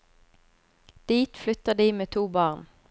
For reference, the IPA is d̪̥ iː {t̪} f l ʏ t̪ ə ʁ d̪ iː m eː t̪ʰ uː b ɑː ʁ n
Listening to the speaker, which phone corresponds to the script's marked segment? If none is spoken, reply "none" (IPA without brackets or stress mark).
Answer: t̪